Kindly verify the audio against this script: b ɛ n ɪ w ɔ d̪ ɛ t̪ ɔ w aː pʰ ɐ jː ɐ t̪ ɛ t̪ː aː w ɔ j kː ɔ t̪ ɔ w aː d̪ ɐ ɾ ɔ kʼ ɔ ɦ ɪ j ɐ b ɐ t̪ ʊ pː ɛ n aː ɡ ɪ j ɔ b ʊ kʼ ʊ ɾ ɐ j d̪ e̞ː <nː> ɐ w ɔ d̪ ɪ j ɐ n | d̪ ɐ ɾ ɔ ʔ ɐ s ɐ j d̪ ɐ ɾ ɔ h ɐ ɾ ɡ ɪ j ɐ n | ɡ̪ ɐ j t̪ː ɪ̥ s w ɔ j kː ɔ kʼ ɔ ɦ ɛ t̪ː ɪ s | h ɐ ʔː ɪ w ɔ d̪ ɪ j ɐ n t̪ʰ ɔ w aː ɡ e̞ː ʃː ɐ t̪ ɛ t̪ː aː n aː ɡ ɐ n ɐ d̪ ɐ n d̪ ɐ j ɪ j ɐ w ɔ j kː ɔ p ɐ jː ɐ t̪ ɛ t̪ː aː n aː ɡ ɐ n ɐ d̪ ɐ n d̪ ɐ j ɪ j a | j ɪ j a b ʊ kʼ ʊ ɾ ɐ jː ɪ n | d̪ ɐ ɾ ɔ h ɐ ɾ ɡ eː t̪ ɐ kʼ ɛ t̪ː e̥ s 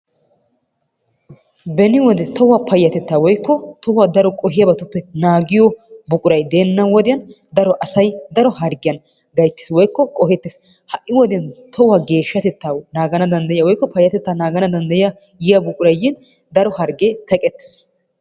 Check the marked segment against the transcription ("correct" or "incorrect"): correct